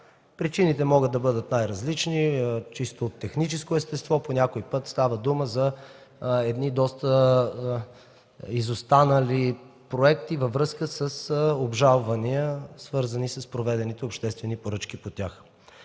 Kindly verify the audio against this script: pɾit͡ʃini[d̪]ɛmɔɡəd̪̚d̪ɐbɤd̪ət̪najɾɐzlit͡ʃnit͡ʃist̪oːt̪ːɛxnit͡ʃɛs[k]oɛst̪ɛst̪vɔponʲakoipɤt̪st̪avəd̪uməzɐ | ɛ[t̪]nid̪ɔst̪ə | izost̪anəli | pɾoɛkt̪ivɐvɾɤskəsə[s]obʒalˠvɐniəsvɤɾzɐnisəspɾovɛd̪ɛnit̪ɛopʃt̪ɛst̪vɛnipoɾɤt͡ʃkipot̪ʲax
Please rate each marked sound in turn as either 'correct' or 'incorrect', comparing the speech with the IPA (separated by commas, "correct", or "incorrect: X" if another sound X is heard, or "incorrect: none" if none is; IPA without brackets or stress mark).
incorrect: t̪, correct, incorrect: d̪, correct